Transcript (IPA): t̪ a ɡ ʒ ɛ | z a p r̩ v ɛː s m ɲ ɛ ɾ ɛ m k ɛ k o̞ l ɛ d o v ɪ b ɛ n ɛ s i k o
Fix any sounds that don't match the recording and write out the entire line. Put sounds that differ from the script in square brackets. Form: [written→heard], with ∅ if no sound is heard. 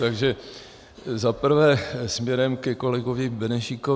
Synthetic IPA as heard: t̪ a ɡ ʒ ɛ | z a p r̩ v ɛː s m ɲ ɛ ɾ ɛ m k ɛ k o̞ l ɛ [d→ɡ] o v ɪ b ɛ n ɛ [s→ʃ] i k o